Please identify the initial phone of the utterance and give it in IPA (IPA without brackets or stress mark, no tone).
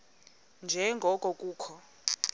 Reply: n